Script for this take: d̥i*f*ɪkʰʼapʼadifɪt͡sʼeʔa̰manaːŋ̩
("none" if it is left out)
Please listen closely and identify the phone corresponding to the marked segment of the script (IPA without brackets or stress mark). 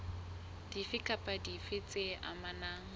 f